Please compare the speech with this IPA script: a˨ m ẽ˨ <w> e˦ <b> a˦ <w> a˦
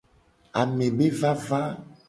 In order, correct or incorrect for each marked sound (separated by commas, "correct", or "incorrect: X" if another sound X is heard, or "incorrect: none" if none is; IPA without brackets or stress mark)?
incorrect: b, incorrect: v, incorrect: v